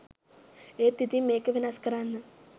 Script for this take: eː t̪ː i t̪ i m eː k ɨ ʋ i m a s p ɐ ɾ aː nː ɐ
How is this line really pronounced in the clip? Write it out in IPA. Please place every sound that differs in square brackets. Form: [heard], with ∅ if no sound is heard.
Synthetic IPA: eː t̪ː i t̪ i m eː k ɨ ʋ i [n] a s [k] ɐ ɾ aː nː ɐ